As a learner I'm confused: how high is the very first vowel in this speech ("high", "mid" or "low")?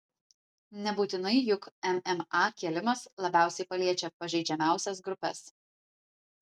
mid